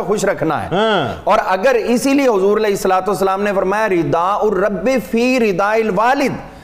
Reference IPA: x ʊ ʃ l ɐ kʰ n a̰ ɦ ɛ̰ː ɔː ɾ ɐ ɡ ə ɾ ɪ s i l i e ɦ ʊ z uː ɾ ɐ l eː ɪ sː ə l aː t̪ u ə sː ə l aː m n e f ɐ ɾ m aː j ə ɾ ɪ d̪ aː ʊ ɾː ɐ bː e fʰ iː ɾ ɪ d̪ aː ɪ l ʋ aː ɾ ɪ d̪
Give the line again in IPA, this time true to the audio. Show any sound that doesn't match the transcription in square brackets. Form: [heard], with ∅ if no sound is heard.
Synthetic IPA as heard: x ʊ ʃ [ɾ] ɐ kʰ n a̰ ɦ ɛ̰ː ɔː ɾ ɐ ɡ ə ɾ ɪ s i l i e ɦ ʊ z uː ɾ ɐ l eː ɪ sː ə l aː t̪ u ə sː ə l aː m n e f ɐ ɾ m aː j [a] ɾ ɪ d̪ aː ʊ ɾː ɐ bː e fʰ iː ɾ ɪ d̪ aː ɪ l ʋ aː [l] ɪ d̪